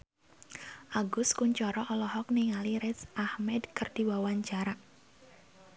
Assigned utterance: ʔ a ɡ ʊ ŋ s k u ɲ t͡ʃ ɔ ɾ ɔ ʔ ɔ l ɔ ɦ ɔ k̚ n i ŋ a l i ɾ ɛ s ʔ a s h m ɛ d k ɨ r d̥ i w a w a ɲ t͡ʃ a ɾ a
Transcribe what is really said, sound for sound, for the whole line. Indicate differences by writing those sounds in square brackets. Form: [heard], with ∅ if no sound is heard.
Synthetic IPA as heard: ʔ a ɡ ʊ [∅] s k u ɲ t͡ʃ ɔ ɾ ɔ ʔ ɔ l ɔ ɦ ɔ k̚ n i ŋ a l i ɾ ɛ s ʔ a [∅] h m ɛ d k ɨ r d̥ i w a w a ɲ t͡ʃ a ɾ a